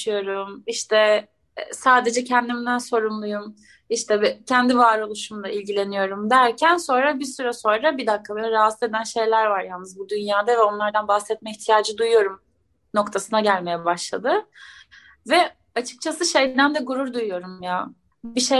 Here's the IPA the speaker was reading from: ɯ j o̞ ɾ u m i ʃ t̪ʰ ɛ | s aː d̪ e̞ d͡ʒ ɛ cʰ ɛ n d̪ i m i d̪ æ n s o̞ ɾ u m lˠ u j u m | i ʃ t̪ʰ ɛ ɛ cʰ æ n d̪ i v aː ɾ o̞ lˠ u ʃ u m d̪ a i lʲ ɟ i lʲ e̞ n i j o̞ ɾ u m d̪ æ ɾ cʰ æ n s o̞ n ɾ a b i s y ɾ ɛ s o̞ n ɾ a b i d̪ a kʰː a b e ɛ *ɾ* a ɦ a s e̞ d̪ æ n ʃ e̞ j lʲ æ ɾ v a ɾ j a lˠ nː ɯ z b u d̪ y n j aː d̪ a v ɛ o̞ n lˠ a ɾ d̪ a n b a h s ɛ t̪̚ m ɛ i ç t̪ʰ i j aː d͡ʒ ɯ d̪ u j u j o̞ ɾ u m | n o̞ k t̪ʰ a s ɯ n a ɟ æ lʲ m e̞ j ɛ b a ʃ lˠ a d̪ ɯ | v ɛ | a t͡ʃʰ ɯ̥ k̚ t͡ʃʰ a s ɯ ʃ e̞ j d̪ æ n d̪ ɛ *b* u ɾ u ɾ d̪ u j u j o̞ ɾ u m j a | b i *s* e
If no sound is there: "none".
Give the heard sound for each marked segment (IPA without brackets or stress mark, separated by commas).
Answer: ɾ, ɡ, ʃ